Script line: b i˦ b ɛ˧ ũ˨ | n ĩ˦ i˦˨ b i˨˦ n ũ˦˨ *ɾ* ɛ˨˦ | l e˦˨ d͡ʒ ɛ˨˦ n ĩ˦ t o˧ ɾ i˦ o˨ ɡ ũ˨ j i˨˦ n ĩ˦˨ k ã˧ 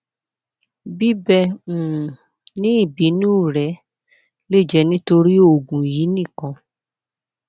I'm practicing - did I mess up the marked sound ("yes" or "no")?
no